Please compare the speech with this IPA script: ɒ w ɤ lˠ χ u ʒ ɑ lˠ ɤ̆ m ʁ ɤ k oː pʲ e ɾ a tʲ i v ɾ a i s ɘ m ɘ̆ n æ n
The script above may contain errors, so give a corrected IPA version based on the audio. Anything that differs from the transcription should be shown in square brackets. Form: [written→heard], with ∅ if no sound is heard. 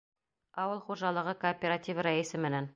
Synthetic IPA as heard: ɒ w ɤ lˠ χ u ʒ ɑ lˠ ɤ̆ [m→∅] ʁ ɤ k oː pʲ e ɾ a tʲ i v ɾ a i s ɘ m ɘ̆ n æ n